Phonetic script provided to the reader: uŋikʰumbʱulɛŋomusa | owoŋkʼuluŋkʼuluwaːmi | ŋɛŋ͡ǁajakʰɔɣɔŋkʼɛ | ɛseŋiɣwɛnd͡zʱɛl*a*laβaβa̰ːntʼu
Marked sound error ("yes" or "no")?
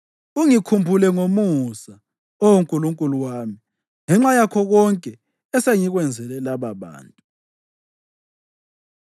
yes